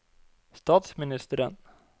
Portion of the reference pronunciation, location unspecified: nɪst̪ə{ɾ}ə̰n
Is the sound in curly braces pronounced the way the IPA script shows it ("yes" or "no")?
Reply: yes